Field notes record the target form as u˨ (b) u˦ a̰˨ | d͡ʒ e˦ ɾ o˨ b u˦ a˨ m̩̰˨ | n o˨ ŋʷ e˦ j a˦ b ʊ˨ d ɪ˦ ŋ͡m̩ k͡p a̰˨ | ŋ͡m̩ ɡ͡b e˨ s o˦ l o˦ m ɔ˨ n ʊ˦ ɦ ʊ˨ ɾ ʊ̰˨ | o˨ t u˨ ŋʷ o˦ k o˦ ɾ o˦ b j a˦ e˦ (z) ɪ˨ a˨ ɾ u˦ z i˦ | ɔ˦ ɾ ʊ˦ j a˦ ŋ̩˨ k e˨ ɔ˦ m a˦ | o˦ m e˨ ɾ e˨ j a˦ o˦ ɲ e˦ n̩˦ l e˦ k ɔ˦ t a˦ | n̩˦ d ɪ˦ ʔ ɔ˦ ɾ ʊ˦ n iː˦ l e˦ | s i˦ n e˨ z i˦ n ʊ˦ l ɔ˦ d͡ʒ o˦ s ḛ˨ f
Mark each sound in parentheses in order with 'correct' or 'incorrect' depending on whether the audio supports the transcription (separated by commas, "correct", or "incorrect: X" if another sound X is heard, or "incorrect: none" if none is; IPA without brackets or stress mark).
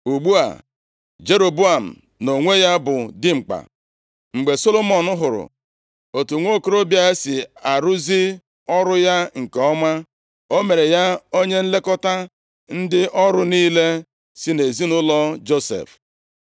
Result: incorrect: ɡ͡b, incorrect: s